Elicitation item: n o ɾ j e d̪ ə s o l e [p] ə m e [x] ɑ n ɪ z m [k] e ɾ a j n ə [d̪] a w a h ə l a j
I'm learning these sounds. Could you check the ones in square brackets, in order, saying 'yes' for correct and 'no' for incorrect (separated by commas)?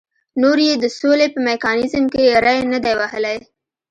yes, no, yes, yes